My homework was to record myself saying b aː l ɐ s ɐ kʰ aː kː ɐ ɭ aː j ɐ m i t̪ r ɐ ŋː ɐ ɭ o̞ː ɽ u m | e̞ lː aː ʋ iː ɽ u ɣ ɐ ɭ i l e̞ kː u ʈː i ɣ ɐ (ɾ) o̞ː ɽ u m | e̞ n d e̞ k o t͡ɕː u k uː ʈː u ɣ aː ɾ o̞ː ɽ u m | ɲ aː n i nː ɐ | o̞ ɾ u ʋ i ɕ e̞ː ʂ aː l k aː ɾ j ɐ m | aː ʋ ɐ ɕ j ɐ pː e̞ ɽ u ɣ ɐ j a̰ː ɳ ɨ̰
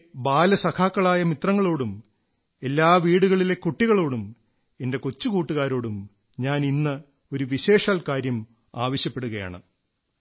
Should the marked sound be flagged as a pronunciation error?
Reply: yes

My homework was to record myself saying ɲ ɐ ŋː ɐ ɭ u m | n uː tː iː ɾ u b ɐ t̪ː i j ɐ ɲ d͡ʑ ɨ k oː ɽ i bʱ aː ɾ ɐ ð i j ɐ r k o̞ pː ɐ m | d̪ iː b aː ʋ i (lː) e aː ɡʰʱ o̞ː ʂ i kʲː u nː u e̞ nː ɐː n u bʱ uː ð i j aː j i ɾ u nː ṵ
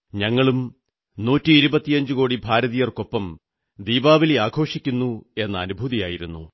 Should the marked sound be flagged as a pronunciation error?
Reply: yes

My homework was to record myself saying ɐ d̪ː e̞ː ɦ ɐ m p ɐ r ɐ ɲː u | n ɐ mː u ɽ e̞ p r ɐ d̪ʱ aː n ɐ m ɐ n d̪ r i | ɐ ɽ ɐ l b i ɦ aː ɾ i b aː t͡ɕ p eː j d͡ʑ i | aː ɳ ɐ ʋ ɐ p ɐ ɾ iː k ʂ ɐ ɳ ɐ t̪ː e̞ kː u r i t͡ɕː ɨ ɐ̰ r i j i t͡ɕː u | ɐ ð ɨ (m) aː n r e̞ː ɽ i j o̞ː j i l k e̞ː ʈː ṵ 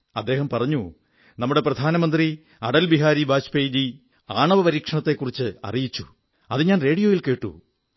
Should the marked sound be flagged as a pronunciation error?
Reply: yes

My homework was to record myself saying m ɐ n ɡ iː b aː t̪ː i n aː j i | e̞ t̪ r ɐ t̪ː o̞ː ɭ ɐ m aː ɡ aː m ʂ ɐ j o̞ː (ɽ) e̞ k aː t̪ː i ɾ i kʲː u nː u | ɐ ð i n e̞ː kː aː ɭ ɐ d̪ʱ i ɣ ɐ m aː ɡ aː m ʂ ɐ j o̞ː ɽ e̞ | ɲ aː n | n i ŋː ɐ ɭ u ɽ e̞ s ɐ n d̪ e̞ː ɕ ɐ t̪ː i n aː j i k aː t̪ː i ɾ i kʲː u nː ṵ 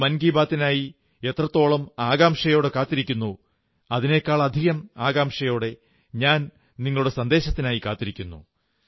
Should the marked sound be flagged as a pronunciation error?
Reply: no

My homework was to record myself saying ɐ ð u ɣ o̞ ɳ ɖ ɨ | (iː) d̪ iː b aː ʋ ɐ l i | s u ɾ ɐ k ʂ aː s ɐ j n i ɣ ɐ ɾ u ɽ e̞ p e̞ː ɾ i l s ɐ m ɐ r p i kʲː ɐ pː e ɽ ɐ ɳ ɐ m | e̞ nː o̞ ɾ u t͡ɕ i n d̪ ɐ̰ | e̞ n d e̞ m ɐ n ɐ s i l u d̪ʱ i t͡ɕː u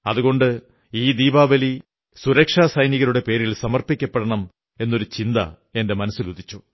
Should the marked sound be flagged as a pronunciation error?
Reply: no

